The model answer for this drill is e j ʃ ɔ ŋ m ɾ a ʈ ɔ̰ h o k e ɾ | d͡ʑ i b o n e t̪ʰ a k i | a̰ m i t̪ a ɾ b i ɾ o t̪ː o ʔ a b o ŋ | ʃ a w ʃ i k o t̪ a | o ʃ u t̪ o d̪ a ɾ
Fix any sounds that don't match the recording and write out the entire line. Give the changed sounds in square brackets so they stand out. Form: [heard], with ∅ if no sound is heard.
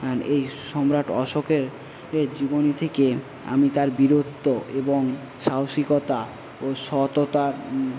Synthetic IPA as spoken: e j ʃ ɔ [∅] m ɾ a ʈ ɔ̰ [ʃ] o k e ɾ | d͡ʑ i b o n [i] t̪ʰ [e] k [e] | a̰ m i t̪ a ɾ b i ɾ o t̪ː o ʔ [e] b o ŋ | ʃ a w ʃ i k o t̪ a | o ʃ [ɔ] t̪ o [t̪] a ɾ

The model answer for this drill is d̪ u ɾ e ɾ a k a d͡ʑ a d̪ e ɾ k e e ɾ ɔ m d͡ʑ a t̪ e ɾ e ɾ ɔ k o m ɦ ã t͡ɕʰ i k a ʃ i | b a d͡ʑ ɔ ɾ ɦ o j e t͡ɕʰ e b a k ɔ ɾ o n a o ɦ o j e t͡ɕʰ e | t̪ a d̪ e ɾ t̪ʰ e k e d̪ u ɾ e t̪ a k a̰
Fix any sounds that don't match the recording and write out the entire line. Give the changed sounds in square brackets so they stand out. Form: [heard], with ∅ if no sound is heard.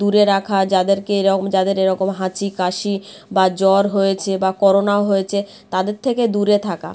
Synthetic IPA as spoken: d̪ u ɾ e ɾ a [kʰ] a d͡ʑ a d̪ e ɾ k e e ɾ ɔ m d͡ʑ a [d̪] e ɾ e ɾ ɔ k o m ɦ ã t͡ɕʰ i k a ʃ i | b a d͡ʑ ɔ ɾ ɦ o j e t͡ɕʰ e b a k ɔ ɾ o n a o ɦ o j e t͡ɕʰ e | t̪ a d̪ e ɾ t̪ʰ e k e d̪ u ɾ e [t̪ʰ] a k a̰

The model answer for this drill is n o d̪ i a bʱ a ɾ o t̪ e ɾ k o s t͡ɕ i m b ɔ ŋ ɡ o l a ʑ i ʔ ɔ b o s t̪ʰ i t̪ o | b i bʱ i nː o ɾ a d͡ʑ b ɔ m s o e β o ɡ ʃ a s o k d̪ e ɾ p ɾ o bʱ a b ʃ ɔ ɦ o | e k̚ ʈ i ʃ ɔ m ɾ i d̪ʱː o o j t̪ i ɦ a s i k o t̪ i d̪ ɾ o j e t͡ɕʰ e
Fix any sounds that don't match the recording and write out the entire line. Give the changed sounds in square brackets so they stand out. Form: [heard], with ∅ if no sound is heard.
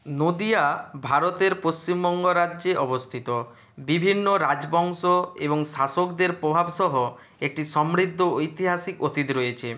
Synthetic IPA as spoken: n o d̪ i a bʱ a ɾ o t̪ e ɾ [p] o s t͡ɕ i m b ɔ ŋ ɡ o [ɾ] a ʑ [e] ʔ ɔ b o s t̪ʰ i t̪ o | b i bʱ i nː o ɾ a d͡ʑ b ɔ [ŋ] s o e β o [ŋ] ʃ a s o k d̪ e ɾ p ɾ o bʱ a b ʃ ɔ ɦ o | e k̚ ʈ i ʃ ɔ m ɾ i d̪ʱː o o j t̪ i ɦ a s i k o t̪ i [t̪] ɾ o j e t͡ɕʰ e

